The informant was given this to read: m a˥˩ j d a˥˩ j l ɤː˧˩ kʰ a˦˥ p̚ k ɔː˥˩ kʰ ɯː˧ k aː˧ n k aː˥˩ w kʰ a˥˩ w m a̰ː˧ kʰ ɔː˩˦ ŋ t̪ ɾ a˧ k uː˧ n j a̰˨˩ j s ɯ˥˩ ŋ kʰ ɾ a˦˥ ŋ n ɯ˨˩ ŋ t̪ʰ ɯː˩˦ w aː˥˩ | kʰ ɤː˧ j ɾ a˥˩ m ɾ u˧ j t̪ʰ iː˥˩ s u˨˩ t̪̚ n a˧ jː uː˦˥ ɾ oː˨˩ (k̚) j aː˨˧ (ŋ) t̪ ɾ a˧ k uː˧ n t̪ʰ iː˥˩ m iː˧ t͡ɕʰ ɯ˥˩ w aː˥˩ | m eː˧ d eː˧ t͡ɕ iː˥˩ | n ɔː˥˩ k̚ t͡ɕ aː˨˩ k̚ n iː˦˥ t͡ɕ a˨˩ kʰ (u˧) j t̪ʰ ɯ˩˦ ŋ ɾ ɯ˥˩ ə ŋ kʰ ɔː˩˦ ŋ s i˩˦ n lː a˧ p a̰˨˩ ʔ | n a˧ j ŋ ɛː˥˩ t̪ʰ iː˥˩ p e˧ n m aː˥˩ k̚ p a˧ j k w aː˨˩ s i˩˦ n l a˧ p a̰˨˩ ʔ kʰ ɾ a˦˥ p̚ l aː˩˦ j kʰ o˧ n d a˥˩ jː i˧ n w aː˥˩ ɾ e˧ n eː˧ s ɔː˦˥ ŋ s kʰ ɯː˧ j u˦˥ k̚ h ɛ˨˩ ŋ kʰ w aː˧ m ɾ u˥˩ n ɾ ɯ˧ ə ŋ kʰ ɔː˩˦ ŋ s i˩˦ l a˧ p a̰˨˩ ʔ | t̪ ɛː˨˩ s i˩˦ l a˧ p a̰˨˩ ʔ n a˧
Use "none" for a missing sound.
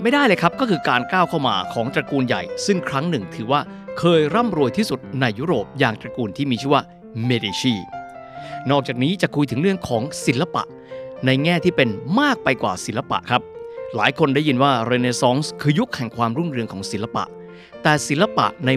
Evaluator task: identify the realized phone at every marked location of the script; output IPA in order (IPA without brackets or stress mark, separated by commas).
p̚, ŋ, u˧